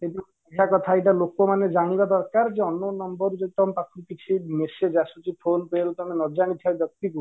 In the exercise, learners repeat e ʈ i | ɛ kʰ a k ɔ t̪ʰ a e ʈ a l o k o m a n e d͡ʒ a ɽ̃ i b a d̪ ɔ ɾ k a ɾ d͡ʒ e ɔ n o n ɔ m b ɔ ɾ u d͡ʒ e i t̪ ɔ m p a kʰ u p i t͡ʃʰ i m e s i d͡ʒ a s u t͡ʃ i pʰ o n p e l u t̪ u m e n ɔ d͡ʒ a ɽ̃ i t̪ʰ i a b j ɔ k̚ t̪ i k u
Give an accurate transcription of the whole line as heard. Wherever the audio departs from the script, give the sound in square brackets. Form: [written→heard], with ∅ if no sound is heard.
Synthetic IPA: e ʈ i | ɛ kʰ a k ɔ t̪ʰ a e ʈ a l o k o m a n e d͡ʒ a ɽ̃ i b a d̪ ɔ ɾ k a ɾ d͡ʒ e ɔ n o n ɔ m b ɔ ɾ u d͡ʒ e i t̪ ɔ m p a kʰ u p i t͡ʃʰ i m e s [i→e] d͡ʒ a s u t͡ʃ i pʰ o n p e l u t̪ [u→ɔ] m e n ɔ d͡ʒ a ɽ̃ i t̪ʰ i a b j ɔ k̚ t̪ i k u